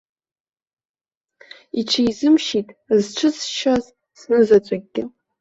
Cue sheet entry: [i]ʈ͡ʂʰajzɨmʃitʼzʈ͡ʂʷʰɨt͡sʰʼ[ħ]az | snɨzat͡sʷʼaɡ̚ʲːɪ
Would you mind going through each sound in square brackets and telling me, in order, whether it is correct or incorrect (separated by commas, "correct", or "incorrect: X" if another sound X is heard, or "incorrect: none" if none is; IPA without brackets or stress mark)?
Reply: correct, incorrect: ʃ